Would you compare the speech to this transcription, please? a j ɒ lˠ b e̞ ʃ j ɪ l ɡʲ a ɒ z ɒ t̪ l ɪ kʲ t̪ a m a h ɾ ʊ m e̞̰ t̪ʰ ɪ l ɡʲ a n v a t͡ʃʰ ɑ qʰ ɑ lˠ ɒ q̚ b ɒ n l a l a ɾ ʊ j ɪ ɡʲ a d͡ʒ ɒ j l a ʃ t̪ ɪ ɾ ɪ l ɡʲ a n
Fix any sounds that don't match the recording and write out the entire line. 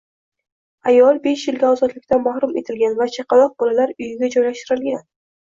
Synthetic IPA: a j ɒ lˠ b e̞ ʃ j ɪ l ɡʲ a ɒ z ɒ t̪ l ɪ kʲ t̪ a m a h ɾ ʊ m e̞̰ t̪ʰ ɪ l ɡʲ a n v a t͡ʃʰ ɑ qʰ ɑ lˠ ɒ q̚ b ɒ l a l a ɾ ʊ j ɪ ɡʲ a d͡ʒ ɒ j l a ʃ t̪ ɪ ɾ ɪ l ɡʲ a n